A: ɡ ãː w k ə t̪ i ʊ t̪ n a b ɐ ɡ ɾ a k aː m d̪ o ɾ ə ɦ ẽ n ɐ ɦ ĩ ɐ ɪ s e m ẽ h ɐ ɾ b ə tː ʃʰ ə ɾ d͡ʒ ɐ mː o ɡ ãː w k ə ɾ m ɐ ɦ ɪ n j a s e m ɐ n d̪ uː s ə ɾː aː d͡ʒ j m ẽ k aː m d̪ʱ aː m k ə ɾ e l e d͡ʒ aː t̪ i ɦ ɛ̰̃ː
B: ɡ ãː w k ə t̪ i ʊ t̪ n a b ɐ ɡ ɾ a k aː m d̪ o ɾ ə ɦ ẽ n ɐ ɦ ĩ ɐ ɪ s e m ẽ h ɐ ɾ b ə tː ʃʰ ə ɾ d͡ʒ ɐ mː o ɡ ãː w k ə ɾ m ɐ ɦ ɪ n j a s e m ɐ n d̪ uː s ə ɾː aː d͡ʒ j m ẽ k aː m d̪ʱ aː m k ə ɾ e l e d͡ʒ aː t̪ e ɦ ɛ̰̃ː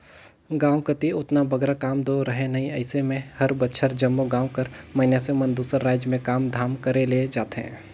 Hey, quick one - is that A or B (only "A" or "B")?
B